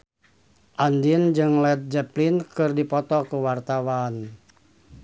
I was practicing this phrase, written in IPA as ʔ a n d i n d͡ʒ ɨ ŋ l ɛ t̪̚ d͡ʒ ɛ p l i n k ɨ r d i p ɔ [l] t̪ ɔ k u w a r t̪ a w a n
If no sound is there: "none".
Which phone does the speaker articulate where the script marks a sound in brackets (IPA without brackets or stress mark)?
none